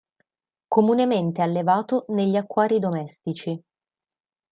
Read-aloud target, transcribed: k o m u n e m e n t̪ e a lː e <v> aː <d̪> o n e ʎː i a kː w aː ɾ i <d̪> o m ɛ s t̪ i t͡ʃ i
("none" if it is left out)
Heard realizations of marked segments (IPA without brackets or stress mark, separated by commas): v, t̪, d̪